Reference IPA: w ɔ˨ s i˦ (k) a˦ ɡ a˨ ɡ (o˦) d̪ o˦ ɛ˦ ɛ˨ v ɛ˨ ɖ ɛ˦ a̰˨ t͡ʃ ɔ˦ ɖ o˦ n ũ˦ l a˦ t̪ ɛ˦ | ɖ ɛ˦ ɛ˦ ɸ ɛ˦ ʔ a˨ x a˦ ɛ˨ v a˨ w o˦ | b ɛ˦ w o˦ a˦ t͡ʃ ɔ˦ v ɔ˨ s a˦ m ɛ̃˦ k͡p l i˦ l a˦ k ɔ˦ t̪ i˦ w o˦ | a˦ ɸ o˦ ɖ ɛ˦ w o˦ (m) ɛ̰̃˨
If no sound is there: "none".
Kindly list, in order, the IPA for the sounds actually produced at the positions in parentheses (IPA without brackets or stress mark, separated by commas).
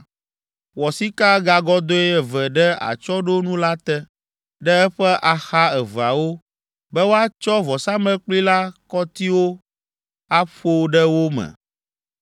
k, ɔ˦, m